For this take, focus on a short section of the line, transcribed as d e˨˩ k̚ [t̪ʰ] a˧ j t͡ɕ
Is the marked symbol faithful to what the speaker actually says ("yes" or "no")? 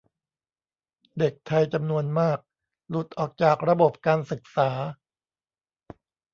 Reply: yes